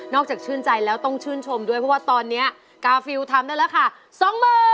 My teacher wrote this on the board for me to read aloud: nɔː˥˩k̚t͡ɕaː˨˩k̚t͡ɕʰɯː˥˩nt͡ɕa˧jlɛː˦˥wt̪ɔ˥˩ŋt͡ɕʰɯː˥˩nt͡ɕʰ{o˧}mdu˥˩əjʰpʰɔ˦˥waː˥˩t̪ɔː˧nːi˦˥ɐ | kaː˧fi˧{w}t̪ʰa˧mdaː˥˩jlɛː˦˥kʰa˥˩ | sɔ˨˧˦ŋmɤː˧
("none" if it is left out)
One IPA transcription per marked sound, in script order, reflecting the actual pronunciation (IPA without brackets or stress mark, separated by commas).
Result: o˧, w